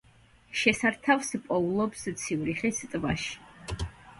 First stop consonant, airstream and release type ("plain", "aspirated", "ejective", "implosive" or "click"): aspirated